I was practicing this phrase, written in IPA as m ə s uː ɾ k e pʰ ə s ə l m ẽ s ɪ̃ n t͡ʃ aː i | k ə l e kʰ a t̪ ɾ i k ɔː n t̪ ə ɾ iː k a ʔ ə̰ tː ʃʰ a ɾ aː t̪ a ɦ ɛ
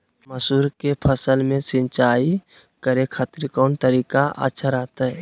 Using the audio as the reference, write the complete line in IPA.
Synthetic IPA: m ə s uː ɾ k e pʰ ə s ə l m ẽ s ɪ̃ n t͡ʃ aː i | k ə ɾ e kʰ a t̪ ɾ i k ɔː n t̪ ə ɾ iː k a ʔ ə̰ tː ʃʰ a ɾ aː t̪ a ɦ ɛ